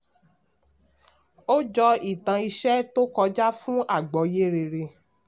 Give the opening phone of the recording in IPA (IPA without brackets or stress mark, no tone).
o